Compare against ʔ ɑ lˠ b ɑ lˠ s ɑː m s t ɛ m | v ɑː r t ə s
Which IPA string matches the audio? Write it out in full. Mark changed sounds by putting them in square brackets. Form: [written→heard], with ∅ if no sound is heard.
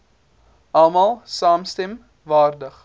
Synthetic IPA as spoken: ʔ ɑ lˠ [b→m] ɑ lˠ s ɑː m s t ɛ m | v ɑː r [t→d] ə [s→χ]